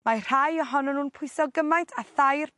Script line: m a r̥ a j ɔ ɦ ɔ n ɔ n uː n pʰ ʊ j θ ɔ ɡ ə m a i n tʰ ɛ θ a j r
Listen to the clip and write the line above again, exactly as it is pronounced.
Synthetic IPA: m a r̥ a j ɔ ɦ ɔ n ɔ n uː n pʰ ʊ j s ɔ ɡ ə m a j n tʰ a θ a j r